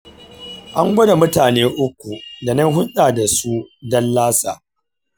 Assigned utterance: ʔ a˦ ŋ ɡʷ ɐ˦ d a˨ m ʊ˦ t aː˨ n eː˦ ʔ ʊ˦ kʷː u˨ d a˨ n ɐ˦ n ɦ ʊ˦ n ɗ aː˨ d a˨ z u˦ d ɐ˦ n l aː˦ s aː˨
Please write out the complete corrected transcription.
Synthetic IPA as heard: ʔ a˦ ŋ ɡʷ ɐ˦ d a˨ m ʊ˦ t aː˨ n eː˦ ʔ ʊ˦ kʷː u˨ d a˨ n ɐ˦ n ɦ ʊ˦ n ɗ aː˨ d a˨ s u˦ d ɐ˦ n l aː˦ s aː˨